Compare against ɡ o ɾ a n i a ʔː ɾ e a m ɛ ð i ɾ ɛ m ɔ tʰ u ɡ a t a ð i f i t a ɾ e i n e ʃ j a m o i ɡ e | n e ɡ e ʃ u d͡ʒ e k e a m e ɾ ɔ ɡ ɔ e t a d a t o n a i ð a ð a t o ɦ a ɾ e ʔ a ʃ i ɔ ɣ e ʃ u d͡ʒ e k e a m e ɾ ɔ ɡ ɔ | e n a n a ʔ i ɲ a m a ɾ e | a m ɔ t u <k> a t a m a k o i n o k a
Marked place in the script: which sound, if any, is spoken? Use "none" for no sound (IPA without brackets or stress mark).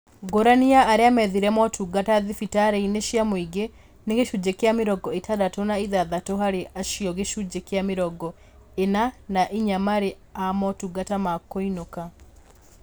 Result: ɡ